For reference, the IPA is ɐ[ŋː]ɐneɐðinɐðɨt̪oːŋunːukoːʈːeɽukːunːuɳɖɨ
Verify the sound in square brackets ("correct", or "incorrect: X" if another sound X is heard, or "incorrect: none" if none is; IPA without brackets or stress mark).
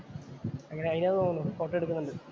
correct